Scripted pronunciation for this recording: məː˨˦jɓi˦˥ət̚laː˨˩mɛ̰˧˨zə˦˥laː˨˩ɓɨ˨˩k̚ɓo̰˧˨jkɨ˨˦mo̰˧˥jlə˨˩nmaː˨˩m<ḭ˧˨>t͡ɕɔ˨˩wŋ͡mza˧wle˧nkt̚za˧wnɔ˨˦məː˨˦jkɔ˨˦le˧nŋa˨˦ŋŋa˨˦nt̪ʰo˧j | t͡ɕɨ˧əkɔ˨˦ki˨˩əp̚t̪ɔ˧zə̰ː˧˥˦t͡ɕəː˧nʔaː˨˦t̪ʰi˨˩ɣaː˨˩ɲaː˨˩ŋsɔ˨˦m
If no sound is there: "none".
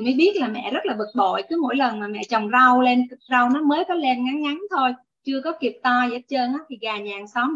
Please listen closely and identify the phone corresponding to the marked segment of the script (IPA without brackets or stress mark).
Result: ɛ̰˧˨